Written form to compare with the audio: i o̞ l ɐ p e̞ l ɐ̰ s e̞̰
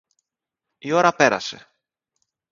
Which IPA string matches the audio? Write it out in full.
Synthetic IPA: i o̞ ɾ ɐ p e̞ ɾ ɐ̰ s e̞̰